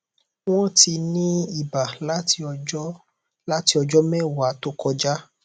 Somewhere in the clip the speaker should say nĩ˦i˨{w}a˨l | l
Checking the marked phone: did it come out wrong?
yes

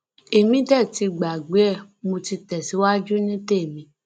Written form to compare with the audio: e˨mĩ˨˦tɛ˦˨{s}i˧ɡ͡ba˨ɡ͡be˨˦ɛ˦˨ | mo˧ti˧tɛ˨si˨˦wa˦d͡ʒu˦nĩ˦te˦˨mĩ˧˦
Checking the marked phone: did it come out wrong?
yes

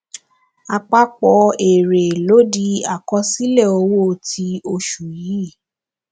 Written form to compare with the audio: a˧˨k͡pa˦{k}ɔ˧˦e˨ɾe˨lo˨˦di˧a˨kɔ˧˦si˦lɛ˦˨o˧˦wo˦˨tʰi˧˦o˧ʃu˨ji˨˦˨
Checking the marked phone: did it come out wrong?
yes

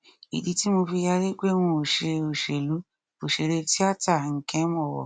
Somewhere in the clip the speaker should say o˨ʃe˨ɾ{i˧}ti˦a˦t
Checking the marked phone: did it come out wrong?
yes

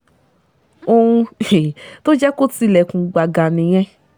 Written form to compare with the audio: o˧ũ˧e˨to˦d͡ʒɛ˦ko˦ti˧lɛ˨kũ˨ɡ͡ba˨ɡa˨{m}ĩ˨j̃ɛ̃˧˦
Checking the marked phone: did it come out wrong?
yes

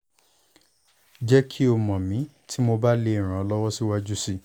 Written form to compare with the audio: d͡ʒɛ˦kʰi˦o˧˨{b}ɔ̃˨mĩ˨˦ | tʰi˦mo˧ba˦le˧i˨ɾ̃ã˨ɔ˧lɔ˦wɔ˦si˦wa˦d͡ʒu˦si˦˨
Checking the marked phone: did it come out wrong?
yes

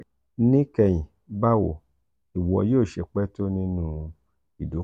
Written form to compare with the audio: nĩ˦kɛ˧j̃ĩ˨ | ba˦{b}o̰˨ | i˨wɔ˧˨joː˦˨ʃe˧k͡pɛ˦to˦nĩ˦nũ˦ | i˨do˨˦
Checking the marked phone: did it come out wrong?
yes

